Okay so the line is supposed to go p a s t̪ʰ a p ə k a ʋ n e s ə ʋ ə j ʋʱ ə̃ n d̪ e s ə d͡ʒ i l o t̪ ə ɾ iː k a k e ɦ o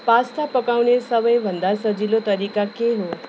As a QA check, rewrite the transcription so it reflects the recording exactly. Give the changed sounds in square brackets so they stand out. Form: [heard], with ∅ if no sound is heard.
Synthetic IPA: p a s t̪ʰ a p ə k a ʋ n e s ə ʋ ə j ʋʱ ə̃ n d̪ [a] s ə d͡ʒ i l o t̪ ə ɾ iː k a k e ɦ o